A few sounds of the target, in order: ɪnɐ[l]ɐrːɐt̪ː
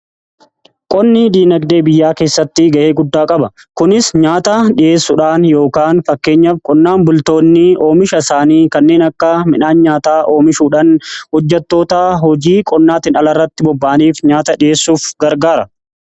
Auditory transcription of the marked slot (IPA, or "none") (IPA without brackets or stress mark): l